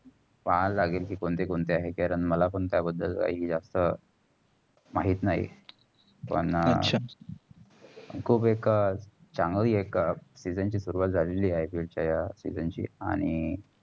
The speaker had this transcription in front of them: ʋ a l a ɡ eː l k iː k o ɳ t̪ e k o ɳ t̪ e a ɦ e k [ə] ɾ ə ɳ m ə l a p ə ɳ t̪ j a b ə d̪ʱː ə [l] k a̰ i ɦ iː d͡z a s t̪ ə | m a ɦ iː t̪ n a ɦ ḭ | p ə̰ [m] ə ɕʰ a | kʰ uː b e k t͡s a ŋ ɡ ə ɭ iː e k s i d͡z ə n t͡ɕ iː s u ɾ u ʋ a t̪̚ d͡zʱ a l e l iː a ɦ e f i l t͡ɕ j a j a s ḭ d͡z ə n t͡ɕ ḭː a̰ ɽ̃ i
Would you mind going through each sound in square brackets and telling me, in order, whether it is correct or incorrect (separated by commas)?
incorrect, correct, incorrect